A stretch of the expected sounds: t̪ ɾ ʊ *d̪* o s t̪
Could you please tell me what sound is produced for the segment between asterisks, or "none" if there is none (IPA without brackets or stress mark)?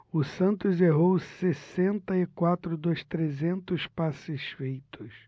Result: d̪